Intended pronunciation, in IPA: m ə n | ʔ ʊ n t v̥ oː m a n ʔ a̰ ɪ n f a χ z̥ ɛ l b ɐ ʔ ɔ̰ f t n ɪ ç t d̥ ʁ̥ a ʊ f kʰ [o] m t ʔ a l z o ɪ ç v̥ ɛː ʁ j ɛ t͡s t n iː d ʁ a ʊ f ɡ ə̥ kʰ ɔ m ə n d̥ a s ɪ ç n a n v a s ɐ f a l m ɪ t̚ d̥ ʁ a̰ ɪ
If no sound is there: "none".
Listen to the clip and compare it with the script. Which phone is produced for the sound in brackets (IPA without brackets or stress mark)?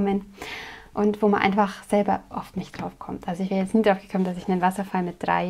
ɔ